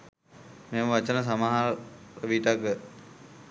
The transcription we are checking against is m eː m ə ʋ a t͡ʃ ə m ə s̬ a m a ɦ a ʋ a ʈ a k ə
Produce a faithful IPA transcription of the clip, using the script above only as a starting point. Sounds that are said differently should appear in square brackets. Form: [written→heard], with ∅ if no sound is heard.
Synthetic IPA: m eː m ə ʋ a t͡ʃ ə [m→n] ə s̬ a m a ɦ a ʋ [a→i] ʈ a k ə